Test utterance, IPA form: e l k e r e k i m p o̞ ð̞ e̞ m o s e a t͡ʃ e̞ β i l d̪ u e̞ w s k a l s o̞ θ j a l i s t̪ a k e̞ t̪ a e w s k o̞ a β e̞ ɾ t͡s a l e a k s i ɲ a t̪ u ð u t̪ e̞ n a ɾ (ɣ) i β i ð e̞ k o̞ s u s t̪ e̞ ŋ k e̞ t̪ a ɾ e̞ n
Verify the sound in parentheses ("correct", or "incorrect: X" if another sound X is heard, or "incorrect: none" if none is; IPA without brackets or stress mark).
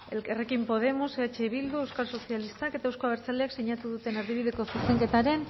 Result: incorrect: ð